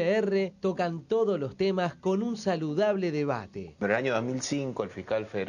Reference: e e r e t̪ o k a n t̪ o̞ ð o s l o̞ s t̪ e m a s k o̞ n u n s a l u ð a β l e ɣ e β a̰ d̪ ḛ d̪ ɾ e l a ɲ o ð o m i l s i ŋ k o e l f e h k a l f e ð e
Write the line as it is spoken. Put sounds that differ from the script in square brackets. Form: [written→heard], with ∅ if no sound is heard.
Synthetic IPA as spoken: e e r e t̪ o k a n t̪ o̞ ð o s l o̞ s t̪ e m a s k o̞ n u n s a l u ð a β l e [ɣ→ð] e β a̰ [d̪→t̪] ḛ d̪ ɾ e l a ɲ o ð o m i l s i ŋ k o e l f [e→i] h k a l f e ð e

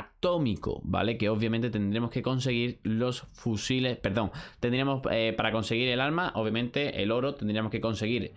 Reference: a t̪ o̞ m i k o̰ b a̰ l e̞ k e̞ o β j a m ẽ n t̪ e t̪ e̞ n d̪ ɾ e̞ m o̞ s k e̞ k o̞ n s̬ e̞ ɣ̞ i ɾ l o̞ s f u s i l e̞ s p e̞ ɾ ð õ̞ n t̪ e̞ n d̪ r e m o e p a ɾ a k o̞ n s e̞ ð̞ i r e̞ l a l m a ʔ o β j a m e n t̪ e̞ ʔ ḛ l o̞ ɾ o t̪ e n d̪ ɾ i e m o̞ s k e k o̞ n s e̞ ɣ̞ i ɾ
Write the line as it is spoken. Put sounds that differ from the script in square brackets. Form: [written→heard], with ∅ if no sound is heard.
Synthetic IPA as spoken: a t̪ o̞ m i k o̰ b a̰ l e̞ k e̞ o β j a m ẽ n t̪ e t̪ e̞ n d̪ ɾ e̞ m o̞ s k e̞ k o̞ n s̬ e̞ ɣ̞ i ɾ l o̞ s f u s i l e̞ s p e̞ ɾ ð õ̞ [n→ŋ] t̪ e̞ n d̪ [r→ɾ] e m o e p a ɾ a k o̞ n s e̞ [ð̞→ɣ̞] i [r→ɾ] e̞ l a l m a ʔ o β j a m [e→ẽ] n t̪ e̞ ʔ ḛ l o̞ ɾ o t̪ e n d̪ ɾ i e m o̞ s k e k o̞ n s e̞ ɣ̞ i ɾ

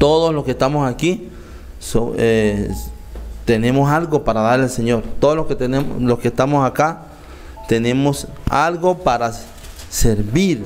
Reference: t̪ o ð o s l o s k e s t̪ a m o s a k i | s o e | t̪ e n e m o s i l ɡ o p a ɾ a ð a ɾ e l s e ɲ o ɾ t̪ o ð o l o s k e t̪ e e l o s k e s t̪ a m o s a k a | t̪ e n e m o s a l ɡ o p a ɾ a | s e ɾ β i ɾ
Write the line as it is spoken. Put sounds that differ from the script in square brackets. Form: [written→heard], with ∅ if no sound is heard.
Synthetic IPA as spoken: t̪ o ð o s l o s k e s t̪ a m o s a k i | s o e | t̪ e n e m o s [i→a] l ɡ o p a ɾ a ð a ɾ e l s e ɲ o ɾ t̪ o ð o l o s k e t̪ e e l o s k e s t̪ a m o s a k a | t̪ e n e m o s a l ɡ o p a ɾ a | s e ɾ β i ɾ

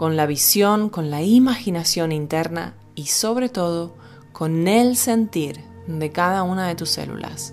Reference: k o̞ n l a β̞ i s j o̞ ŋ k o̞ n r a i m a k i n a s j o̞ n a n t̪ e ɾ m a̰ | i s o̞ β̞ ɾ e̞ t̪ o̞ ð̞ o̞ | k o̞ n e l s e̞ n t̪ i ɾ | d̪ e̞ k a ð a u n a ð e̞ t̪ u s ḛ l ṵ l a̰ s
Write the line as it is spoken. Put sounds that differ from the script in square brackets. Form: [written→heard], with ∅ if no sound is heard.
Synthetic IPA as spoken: k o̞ n l a β̞ i s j o̞ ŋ k o̞ n [r→l] a i m a [k→x] i n a s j o̞ n [a→i] n t̪ e ɾ [m→n] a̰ | i s o̞ β̞ ɾ e̞ t̪ o̞ ð̞ o̞ | k o̞ n e l s e̞ n t̪ i ɾ | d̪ e̞ k a ð a u n a ð e̞ t̪ u s ḛ l ṵ l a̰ s

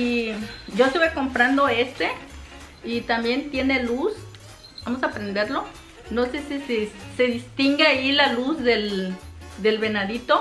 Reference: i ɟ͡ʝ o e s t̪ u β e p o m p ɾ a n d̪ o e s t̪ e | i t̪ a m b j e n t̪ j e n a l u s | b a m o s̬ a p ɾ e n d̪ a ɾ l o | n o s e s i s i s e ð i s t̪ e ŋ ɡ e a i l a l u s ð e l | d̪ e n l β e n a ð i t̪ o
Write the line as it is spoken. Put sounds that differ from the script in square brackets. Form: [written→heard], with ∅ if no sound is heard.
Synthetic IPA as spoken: i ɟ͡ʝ o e s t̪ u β e [p→k] o m p ɾ a n d̪ o e s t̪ e | i t̪ a m b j e n t̪ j e n [a→e] l u s | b a m o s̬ a p ɾ e n d̪ [a→e] ɾ l o | n o s e s i s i s e ð i s t̪ [e→i] ŋ ɡ e a i l a l u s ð e l | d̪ e [n→∅] l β e n a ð i t̪ o

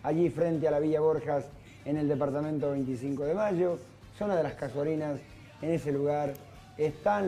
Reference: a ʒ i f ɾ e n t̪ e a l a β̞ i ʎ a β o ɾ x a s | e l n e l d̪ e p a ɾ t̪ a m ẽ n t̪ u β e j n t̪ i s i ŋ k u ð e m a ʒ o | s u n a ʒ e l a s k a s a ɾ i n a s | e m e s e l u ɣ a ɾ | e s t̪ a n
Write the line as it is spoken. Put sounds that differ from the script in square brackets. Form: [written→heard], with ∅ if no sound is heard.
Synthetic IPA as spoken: a ʒ i f ɾ e n t̪ e a l a β̞ i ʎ a β o ɾ x a s | e [l→∅] n e l d̪ e p a ɾ t̪ a m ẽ n t̪ [u→o] β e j n t̪ i s i ŋ k [u→o] ð e m a ʒ o | s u n a [ʒ→ð] e l a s k a s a ɾ i n a s | e [m→n] e s e l u ɣ a ɾ | e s t̪ a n

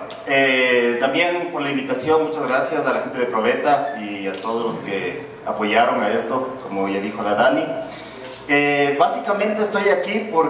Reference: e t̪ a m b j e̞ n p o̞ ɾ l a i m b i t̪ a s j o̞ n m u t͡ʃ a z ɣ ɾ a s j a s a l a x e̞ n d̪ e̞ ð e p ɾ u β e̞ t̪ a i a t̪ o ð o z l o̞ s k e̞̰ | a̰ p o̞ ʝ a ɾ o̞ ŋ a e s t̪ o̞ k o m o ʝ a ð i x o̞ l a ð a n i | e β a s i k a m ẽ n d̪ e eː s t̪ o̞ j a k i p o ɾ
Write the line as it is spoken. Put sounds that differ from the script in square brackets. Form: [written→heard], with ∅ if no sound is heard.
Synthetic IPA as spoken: e t̪ a m b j e̞ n p o̞ ɾ l a i m b i t̪ a s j o̞ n m u t͡ʃ a z ɣ ɾ a s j a s a l a x e̞ n [d̪→t̪] e̞ ð e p ɾ [u→o] β e̞ t̪ a i a t̪ o ð o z l o̞ s k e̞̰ | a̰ p o̞ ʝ a ɾ o̞ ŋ a e s t̪ o̞ k o m o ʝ a ð i x o̞ l a ð a n i | e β a s i k a m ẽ n [d̪→t̪] e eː s t̪ o̞ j a k i p o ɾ

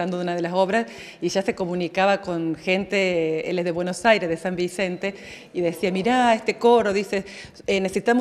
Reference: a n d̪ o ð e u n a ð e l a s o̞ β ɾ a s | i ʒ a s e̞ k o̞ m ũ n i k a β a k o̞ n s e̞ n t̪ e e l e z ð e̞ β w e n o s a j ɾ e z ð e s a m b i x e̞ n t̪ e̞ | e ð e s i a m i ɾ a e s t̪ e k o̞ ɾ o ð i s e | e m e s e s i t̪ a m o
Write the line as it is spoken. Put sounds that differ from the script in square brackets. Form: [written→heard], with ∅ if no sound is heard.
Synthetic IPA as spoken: a n d̪ o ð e u n a ð e l a s o̞ β ɾ a s | i ʒ a s e̞ k o̞ m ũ n i k a β a k o̞ n [s→x] e̞ n t̪ e e l e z ð e̞ β w e n o s a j ɾ e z ð e s a m b i [x→s] e̞ n t̪ e̞ | [e→i] ð e s i a m i ɾ a e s t̪ e k o̞ ɾ o ð i s e | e [m→n] e s e s i t̪ a m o

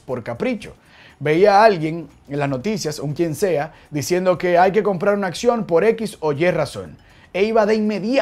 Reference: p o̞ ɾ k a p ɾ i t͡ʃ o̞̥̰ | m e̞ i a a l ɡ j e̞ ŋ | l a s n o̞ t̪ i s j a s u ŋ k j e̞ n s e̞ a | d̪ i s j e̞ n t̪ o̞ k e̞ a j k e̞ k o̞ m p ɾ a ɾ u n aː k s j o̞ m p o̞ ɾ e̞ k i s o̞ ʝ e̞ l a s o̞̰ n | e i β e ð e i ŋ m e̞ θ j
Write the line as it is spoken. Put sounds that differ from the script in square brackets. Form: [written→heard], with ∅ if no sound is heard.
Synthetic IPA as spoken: p o̞ ɾ k a p ɾ i t͡ʃ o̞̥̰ | [m→b] e̞ i a a l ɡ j e̞ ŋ | l a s n o̞ t̪ i s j a s u ŋ k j e̞ n s e̞ a | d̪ i s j e̞ n [t̪→d̪] o̞ k e̞ a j k e̞ k o̞ m p ɾ a ɾ u n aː k s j o̞ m p o̞ ɾ e̞ k i s o̞ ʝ e̞ [l→r] a s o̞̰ n | e i β [e→a] ð e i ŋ m e̞ [θ→ð] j

